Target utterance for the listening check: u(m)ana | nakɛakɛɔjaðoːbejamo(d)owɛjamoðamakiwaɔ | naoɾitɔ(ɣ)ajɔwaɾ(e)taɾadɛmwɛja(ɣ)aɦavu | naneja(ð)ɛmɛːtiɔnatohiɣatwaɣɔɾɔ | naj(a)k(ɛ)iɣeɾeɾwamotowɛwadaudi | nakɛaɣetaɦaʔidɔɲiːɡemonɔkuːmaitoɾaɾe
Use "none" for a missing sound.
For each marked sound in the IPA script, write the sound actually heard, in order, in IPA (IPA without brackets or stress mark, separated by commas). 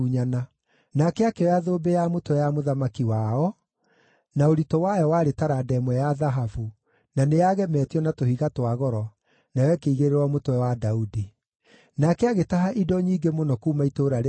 ɲ, t, w, e, ð, ɣ, ɛ, e